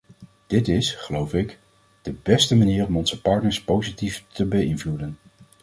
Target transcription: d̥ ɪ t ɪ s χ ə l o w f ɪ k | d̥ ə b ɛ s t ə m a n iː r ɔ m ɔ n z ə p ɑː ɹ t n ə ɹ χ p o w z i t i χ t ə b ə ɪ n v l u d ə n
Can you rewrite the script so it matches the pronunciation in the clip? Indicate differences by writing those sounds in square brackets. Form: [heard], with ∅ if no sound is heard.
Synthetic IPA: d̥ ɪ t ɪ s χ ə l o w f ɪ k | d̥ ə b ɛ s t ə m a n iː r ɔ m ɔ n z ə p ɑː ɹ t n ə ɹ [s] p o w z i t i [f] t ə b ə ɪ n v l u d ə n